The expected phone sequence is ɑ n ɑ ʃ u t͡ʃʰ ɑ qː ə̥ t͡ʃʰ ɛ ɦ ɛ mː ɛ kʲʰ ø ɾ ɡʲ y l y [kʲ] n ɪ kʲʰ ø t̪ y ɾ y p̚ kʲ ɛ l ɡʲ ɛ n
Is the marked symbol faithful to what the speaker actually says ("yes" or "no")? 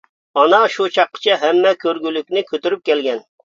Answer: yes